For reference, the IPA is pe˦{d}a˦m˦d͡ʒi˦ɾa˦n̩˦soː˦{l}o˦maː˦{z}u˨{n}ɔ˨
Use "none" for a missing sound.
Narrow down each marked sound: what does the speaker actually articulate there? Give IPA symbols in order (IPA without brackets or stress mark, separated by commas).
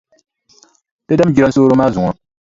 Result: d, ɾ, z, ŋ